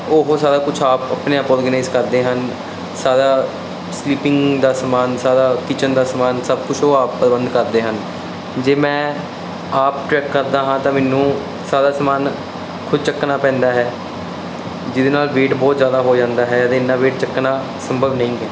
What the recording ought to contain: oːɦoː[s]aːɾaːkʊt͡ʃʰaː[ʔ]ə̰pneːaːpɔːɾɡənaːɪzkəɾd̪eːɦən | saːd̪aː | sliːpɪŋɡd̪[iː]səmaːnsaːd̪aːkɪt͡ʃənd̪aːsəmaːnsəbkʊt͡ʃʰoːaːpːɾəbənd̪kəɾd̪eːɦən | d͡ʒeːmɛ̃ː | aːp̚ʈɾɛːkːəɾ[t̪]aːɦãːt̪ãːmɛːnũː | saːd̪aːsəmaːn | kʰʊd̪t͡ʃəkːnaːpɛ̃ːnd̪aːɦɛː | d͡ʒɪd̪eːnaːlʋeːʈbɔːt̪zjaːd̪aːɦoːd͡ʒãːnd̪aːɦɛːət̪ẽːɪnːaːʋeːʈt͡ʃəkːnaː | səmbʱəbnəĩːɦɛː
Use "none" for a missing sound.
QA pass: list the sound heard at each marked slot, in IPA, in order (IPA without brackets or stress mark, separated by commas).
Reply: s, p, aː, d̪